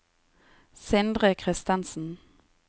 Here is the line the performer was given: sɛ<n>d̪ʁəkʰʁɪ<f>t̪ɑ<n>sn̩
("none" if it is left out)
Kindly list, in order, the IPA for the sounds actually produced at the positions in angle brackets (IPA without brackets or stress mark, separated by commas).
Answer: n, s, n